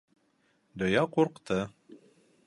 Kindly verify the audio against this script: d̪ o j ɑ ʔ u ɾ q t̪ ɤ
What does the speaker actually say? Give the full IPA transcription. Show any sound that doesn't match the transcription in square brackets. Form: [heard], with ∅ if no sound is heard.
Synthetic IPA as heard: d̪ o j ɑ [q] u ɾ q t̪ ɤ